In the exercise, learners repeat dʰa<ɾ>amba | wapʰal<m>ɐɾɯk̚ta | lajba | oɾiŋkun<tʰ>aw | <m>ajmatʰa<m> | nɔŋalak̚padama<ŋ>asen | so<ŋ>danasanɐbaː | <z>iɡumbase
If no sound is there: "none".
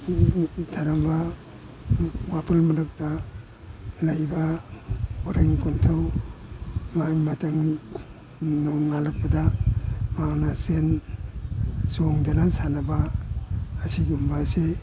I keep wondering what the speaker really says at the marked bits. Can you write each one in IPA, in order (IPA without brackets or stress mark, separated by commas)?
ɾ, m, tʰ, m, ŋ, n, ŋ, s